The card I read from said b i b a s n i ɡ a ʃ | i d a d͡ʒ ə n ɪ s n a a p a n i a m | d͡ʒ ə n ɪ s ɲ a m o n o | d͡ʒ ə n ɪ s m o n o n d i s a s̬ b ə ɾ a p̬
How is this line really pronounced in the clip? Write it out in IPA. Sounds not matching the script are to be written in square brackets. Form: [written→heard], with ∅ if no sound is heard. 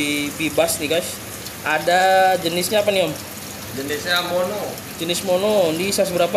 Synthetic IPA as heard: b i b a s n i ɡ a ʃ | [i→a] d a d͡ʒ ə n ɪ s [n→ɲ] a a p a n i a m | d͡ʒ ə n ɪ s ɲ a m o n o | d͡ʒ ə n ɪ s m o n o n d i s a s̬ b ə ɾ a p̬